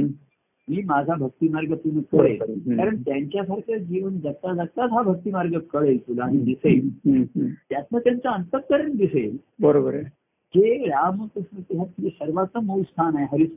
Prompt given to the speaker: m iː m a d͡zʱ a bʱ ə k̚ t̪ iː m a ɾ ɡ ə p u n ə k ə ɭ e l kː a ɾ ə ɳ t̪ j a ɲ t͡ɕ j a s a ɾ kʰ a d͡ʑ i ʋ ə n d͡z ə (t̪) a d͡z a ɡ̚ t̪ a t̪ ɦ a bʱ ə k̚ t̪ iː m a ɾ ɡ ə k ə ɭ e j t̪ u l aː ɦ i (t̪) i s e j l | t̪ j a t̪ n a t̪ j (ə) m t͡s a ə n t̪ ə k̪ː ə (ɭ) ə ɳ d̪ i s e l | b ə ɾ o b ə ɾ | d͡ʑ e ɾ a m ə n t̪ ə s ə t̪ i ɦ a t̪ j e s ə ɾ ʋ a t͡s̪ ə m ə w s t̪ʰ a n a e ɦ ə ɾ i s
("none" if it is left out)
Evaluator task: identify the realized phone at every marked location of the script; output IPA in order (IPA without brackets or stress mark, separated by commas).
t̪, d̪, a, ɾ